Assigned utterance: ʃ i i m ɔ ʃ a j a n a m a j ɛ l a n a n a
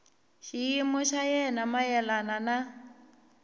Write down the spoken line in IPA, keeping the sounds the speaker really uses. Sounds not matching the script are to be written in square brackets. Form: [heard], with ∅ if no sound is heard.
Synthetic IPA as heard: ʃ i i m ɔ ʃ a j [ɛ] n a m a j ɛ l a n a n a